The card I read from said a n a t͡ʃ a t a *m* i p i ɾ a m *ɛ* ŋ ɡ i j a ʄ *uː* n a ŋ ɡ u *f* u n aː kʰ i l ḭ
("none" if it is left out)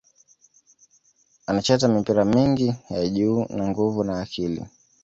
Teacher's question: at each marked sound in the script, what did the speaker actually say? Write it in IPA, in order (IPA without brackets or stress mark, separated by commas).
m, i, uː, v